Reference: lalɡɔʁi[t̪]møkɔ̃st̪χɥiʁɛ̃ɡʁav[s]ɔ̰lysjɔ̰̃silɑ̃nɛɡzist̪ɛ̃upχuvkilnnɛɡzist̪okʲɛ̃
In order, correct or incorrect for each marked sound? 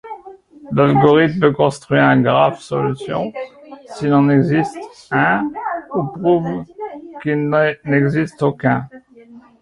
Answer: correct, correct

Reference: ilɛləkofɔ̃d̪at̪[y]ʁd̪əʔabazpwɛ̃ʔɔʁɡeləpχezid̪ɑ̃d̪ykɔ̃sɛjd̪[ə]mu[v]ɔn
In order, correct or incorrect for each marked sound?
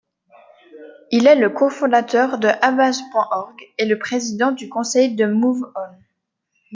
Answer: incorrect, correct, correct

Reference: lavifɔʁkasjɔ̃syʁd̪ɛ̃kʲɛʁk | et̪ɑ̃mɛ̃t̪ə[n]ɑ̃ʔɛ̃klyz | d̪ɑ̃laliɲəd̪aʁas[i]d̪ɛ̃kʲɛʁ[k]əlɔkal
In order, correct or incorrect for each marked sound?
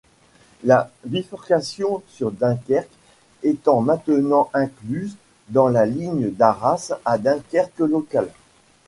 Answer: correct, incorrect, correct

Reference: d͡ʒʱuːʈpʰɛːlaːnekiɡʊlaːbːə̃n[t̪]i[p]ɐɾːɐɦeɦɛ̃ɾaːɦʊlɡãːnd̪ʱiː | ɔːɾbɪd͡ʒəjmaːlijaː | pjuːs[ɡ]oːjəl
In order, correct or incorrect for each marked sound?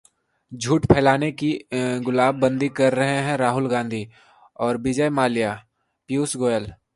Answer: incorrect, incorrect, correct

